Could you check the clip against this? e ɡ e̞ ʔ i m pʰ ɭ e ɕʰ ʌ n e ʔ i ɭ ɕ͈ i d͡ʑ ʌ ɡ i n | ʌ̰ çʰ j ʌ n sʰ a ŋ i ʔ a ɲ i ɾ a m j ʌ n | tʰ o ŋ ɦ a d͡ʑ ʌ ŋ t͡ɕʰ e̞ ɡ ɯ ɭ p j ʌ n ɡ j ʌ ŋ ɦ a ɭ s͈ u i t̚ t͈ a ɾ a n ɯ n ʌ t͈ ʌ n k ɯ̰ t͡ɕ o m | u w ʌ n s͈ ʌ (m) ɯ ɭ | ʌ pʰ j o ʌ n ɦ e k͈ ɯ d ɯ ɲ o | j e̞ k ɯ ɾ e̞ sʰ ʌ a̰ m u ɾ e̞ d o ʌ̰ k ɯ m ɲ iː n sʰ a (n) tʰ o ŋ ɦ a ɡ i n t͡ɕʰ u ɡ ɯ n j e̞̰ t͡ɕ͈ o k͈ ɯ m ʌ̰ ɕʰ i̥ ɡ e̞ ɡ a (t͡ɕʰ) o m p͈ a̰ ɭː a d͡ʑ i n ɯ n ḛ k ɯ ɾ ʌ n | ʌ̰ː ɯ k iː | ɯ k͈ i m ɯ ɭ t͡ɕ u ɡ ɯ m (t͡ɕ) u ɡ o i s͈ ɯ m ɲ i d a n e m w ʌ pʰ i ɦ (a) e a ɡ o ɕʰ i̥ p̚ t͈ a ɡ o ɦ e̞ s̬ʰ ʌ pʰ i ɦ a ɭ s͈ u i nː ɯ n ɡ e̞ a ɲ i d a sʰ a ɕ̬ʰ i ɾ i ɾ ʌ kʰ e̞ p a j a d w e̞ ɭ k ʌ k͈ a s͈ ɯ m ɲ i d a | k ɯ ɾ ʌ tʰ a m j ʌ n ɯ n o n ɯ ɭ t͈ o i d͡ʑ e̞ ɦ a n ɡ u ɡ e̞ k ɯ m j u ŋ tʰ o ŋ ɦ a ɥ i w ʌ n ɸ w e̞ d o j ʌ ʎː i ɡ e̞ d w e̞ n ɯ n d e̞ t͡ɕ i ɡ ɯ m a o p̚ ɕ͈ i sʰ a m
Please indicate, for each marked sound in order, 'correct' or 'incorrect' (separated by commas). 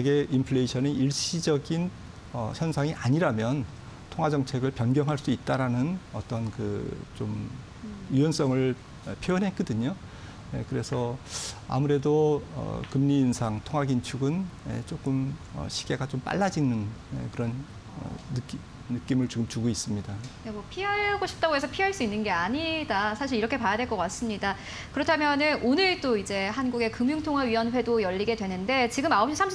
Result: incorrect, incorrect, incorrect, correct, correct